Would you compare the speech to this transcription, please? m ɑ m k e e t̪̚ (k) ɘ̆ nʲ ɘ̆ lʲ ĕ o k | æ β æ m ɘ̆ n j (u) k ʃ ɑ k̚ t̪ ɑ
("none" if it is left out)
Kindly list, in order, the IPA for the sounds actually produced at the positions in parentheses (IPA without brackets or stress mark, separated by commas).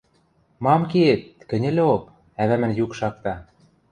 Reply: k, u